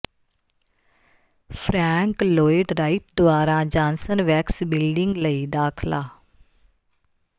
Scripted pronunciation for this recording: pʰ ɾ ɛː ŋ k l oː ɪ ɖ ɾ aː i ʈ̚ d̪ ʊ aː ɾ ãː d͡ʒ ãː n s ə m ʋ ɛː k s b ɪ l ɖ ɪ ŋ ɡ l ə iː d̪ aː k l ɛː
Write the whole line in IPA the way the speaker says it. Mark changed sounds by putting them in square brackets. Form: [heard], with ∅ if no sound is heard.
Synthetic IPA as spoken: pʰ ɾ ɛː ŋ k l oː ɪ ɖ ɾ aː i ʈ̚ d̪ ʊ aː ɾ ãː d͡ʒ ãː n s ə [n] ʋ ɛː k s b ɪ l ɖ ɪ ŋ ɡ l ə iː d̪ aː [kʰ] l [aː]